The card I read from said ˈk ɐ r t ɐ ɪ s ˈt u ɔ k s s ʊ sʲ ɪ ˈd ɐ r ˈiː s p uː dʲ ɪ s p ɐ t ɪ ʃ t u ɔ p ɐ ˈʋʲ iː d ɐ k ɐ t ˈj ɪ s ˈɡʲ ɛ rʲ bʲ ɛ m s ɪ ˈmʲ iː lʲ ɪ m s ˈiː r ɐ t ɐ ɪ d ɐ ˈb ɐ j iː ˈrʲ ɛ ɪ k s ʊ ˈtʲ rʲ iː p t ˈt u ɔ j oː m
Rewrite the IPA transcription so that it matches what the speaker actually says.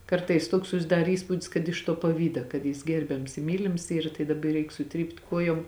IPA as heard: ˈk ɐ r t ɐ ɪ s ˈt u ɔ k s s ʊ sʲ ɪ ˈd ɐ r ˈiː s p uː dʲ ɪ s k ɐ t ɪ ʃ t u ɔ p ɐ ˈʋʲ iː d ɐ k ɐ t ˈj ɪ s ˈɡʲ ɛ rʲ bʲ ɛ m s ɪ ˈmʲ iː lʲ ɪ m s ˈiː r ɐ t ɐ ɪ d ɐ ˈb ɐ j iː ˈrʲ ɛ ɪ k s ʊ ˈtʲ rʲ iː p t ˈk u ɔ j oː m